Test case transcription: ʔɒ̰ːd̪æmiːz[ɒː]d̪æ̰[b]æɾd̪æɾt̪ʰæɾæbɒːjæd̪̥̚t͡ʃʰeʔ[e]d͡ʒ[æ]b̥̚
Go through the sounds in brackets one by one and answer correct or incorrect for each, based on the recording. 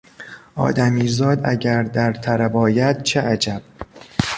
correct, incorrect, incorrect, correct

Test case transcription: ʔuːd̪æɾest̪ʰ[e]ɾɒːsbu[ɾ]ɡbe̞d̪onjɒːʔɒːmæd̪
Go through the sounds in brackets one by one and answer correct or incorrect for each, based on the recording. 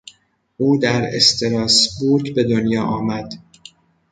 correct, correct

